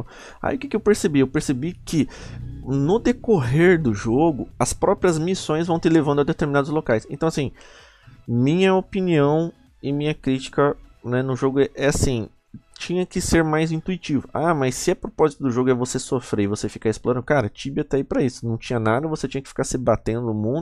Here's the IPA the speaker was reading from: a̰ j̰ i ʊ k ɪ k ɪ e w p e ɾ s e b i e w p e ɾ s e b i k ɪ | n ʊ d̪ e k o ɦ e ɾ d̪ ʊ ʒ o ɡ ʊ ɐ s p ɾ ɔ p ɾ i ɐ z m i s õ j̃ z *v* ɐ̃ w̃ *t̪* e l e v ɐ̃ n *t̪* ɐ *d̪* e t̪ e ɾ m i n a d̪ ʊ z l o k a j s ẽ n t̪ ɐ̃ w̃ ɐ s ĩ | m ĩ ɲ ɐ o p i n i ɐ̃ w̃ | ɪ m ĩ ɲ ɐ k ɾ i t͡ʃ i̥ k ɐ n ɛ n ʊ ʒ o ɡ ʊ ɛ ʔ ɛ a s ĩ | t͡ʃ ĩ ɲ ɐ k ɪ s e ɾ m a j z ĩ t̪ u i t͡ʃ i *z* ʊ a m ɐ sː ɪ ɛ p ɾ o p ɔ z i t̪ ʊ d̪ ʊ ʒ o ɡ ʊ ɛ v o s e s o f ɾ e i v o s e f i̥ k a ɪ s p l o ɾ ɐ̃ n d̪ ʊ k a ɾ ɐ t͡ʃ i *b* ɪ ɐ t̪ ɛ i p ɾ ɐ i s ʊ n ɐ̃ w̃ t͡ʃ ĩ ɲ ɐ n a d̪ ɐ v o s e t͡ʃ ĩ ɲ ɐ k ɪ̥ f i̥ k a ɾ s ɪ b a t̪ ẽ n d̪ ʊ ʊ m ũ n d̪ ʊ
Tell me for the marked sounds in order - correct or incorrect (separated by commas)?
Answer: correct, correct, incorrect, correct, incorrect, correct